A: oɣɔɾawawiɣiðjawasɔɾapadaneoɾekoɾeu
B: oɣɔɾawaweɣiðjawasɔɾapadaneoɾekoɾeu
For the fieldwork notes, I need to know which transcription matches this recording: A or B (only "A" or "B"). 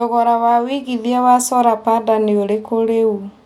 A